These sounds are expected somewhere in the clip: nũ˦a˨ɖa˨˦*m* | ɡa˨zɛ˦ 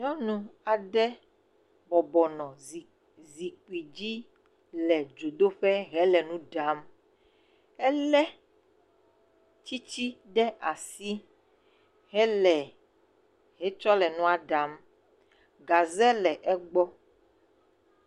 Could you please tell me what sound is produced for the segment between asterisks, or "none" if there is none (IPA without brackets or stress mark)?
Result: m